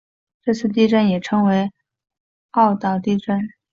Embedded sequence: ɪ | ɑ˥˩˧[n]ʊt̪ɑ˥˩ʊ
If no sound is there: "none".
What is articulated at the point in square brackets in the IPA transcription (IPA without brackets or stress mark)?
none